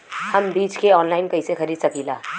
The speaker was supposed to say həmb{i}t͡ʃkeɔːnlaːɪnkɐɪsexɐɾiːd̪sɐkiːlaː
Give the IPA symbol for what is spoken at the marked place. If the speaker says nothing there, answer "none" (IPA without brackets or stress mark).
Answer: iː